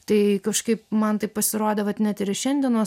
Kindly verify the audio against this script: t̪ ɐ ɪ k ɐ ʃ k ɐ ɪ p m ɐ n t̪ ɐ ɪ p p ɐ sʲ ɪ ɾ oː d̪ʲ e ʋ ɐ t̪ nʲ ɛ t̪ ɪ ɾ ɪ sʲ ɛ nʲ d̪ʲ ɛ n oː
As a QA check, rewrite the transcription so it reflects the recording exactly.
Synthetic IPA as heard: t̪ ɐ ɪ k ɐ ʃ k ɐ ɪ p m ɐ n t̪ ɐ ɪ p p ɐ sʲ ɪ ɾ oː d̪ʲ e ʋ ɐ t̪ nʲ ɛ t̪ ɪ ɾ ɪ ʃʲ ɛ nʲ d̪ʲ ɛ n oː